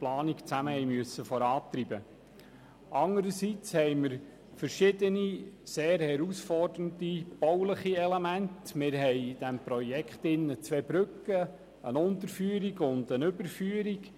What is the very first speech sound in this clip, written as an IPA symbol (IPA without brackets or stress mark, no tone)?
p